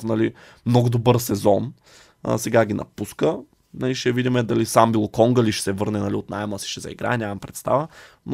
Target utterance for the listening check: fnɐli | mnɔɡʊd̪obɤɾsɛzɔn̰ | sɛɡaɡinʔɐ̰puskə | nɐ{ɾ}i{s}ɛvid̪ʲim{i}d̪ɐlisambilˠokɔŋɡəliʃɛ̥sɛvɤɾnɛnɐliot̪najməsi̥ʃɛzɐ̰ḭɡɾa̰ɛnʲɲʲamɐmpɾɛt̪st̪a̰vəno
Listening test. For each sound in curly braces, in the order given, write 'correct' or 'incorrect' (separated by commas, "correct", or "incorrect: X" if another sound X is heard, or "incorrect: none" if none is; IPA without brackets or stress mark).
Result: incorrect: l, incorrect: ʃ, incorrect: ɛ